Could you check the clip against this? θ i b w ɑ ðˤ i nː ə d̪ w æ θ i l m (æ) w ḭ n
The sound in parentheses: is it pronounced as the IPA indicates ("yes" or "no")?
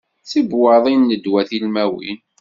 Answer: yes